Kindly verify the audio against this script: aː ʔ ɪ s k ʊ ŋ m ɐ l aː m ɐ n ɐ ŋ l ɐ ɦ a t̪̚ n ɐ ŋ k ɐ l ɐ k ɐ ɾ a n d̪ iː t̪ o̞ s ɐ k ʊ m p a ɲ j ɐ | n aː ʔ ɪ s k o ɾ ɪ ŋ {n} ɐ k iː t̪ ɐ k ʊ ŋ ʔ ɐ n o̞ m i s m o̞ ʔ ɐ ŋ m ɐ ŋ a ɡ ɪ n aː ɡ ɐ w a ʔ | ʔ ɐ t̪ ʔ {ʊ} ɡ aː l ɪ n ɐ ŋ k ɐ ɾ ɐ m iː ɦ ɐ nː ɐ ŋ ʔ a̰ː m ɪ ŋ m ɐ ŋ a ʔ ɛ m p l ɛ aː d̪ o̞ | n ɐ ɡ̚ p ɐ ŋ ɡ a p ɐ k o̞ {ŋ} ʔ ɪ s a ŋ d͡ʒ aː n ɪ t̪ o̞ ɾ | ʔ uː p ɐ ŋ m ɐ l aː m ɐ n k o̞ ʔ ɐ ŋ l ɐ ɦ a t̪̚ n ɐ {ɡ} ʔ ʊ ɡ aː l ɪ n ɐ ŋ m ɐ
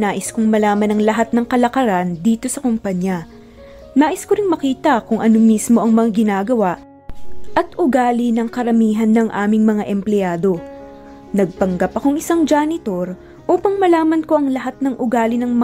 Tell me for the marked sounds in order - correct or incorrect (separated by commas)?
incorrect, correct, correct, incorrect